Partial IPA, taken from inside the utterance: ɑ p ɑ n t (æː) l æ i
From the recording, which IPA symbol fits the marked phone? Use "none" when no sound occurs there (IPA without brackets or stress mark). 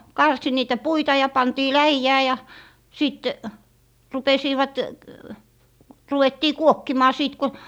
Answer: iː